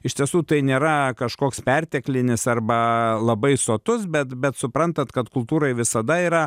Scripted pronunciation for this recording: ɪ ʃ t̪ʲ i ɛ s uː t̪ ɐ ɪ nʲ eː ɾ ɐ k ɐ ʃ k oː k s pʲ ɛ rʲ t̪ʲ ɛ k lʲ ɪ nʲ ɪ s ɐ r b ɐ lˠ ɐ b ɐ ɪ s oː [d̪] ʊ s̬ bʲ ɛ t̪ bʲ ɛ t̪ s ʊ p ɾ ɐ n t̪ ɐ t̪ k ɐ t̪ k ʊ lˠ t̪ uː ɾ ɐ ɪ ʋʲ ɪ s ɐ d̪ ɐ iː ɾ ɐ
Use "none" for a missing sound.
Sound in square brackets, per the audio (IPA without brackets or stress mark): t̪